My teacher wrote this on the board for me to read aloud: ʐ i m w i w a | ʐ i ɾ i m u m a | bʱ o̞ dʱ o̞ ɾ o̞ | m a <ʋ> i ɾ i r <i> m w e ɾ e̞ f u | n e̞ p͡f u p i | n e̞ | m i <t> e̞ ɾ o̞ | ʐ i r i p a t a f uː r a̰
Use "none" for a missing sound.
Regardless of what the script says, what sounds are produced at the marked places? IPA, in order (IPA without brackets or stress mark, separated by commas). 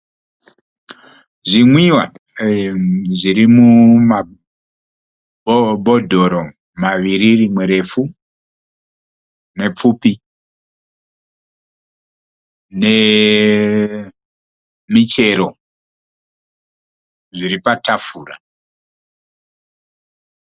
ʋ, i, t͡ʃ